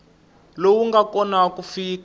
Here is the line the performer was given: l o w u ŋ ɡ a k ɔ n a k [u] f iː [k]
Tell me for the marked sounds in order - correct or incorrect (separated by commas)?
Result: correct, correct